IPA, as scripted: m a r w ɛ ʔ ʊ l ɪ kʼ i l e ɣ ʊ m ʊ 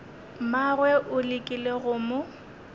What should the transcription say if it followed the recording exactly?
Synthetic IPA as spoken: m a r w ɛ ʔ ʊ l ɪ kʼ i l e ɣ ʊ m ʊ